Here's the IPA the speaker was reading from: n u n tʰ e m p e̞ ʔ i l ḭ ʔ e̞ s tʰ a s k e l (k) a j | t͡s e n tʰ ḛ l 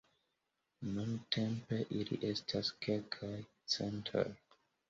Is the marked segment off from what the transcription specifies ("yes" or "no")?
yes